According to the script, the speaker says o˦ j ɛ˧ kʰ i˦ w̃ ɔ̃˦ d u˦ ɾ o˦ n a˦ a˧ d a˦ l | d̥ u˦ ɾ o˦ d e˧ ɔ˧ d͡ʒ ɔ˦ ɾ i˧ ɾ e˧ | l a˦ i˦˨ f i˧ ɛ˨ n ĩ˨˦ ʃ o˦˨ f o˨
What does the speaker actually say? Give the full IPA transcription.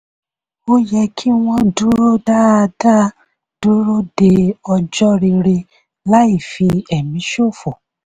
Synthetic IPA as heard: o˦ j ɛ˧ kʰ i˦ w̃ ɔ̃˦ d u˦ ɾ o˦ d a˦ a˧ d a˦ | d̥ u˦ ɾ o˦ d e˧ ɔ˧ d͡ʒ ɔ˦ ɾ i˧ ɾ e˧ | l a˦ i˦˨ f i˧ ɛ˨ m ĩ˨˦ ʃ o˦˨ f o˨